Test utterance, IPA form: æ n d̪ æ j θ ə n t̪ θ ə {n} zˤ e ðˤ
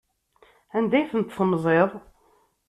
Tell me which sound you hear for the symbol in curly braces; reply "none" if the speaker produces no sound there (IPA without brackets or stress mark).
m